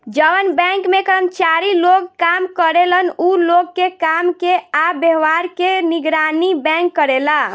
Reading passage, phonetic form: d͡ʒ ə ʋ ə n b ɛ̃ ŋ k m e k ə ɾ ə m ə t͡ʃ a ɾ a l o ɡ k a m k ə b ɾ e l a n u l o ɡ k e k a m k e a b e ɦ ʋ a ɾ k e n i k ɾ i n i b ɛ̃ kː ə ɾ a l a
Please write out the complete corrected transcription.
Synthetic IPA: d͡ʒ ə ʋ ə n b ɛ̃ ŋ k m e k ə ɾ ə m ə t͡ʃ a ɾ i l o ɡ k a m k ə ɾ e l ə n u l o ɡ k e k a m k e a b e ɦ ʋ a ɾ k e n i ɡ ɾ a n i b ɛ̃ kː ə ɾ e l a